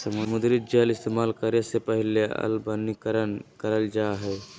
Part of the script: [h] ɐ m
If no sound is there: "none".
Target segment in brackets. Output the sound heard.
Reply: s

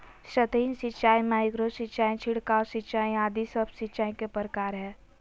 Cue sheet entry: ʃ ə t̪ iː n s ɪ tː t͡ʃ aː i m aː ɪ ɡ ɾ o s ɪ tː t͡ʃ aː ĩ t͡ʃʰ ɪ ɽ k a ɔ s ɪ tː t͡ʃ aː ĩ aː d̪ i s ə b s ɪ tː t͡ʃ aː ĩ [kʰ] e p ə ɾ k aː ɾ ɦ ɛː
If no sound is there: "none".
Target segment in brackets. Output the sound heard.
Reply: k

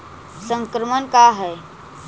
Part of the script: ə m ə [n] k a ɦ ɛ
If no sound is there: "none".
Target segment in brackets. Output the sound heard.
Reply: n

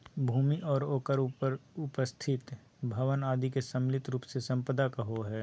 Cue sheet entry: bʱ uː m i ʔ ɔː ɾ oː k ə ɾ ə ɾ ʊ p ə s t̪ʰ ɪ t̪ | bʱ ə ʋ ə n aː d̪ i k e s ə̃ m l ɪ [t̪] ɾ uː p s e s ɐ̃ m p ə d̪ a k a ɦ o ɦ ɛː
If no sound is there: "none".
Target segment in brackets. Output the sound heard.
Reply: t̪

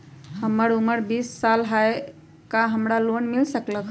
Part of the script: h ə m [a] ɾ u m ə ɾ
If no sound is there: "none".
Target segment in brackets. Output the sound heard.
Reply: ə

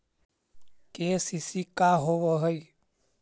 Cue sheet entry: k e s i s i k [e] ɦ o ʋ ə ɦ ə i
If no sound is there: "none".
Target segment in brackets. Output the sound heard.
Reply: a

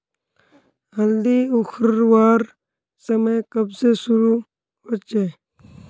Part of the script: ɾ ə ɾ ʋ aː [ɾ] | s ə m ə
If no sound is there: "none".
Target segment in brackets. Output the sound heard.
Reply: ɾ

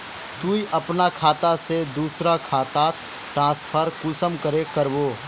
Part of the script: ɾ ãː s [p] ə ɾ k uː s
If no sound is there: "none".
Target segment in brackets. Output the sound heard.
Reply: pʰ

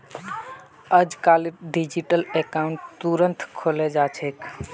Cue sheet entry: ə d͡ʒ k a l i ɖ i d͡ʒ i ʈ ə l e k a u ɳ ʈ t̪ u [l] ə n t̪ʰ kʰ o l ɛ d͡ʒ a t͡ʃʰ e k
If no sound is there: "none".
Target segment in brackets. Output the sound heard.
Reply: ɾ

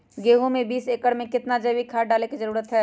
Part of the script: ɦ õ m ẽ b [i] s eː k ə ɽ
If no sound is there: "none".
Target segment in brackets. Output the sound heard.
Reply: iː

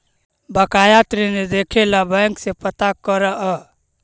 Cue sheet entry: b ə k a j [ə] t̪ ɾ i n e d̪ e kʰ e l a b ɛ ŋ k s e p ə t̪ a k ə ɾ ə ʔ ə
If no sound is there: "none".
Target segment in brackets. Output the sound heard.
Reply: a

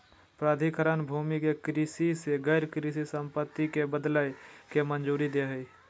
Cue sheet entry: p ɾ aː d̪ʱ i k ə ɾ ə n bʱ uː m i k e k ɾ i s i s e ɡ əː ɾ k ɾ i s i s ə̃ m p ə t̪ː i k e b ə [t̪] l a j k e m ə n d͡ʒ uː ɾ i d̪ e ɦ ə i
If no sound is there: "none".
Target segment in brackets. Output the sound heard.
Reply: d̪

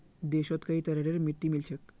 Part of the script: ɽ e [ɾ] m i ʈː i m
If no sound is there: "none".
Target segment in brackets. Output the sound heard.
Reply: ɾ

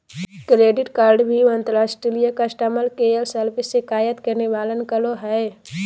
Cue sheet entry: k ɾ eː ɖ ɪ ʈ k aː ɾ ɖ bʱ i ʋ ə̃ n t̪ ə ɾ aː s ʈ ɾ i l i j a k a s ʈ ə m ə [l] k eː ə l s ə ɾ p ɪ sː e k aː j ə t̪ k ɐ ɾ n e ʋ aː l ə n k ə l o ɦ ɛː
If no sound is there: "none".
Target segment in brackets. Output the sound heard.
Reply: l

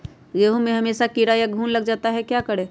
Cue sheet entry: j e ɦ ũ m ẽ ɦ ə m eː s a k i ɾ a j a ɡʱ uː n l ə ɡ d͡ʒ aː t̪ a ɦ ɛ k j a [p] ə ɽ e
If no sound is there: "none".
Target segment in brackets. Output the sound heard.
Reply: k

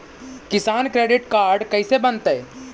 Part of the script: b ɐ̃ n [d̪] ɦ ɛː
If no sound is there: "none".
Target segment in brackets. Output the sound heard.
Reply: t̪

